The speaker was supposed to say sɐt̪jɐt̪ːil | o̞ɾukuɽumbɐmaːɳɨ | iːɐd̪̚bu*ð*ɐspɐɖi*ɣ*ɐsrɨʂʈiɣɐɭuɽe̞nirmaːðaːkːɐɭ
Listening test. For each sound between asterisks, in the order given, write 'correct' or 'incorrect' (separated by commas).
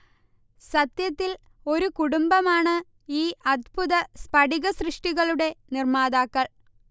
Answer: correct, correct